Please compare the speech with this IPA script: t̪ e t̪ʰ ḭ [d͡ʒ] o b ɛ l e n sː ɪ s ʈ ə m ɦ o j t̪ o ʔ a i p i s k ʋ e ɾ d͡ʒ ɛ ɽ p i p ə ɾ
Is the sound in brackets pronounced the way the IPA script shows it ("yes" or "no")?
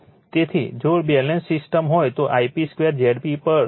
yes